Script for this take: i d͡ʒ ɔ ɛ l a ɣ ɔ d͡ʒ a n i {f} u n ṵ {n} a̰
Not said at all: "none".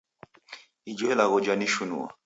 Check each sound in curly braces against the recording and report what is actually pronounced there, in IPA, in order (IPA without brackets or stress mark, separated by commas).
ʃ, none